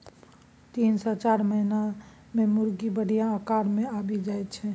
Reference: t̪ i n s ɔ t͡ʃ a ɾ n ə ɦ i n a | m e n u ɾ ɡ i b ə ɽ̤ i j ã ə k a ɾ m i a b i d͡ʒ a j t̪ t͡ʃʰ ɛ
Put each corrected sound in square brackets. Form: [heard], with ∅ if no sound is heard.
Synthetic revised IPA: t̪ i n s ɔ t͡ʃ a ɾ [m] ə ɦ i n a | m e [m] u ɾ ɡ i b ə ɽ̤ i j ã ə k a ɾ m [e] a b i d͡ʒ a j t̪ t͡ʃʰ ɛ